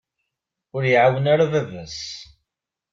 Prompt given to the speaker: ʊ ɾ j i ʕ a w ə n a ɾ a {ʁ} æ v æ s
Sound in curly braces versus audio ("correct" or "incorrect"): incorrect